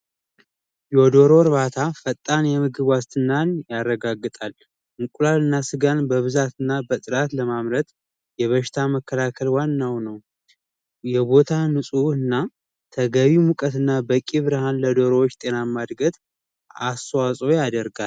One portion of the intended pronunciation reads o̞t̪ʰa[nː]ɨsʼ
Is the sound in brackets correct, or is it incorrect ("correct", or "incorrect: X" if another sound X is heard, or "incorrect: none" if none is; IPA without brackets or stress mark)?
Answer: incorrect: n